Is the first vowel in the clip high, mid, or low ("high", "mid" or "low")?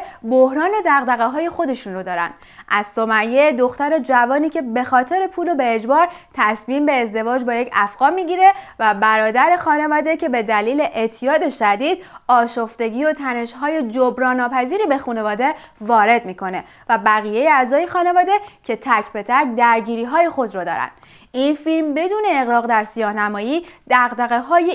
mid